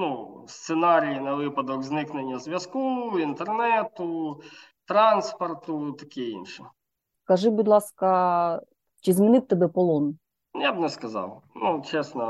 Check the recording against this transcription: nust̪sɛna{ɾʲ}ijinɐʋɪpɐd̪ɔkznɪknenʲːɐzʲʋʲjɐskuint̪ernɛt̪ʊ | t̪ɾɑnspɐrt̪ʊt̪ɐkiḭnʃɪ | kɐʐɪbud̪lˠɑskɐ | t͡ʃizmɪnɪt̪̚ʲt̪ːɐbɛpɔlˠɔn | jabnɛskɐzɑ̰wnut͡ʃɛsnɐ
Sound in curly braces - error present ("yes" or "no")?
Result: no